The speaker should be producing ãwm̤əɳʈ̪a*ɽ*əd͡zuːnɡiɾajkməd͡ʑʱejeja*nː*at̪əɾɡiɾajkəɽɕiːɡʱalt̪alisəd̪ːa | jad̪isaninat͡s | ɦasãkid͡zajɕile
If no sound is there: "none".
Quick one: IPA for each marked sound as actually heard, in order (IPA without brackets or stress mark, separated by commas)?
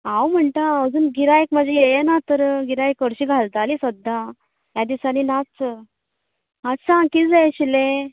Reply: none, n